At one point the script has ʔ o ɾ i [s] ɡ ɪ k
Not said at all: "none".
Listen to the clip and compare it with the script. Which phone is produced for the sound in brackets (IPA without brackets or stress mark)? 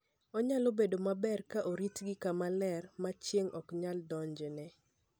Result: t